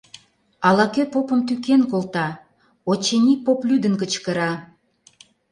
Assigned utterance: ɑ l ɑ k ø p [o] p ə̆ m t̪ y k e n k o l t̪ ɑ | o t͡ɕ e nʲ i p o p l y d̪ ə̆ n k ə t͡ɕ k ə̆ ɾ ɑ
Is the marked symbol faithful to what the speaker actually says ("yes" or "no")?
yes